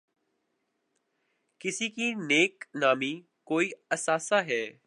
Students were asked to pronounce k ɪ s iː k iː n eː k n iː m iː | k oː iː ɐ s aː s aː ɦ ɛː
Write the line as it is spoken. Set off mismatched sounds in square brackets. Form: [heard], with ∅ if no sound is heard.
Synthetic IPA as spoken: k ɪ s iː k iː n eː k n [aː] m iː | k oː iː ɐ s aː s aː ɦ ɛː